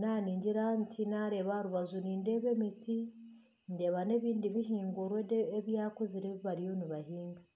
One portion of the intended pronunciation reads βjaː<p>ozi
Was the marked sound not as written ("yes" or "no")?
yes